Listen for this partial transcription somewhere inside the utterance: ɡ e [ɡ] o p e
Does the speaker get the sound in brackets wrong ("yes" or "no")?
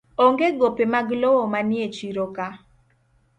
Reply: no